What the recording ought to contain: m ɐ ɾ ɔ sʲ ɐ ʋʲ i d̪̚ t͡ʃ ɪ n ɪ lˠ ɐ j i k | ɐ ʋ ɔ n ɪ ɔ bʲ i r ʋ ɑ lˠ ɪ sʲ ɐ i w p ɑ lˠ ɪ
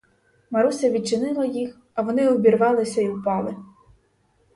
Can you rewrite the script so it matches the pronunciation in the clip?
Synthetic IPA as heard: m ɐ ɾ u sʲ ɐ ʋʲ i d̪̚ t͡ʃ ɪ n ɪ lˠ ɐ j i x | ɐ ʋ ɔ n ɪ ɔ bʲ i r ʋ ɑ lˠ ɪ sʲ ɐ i w p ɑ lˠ ɪ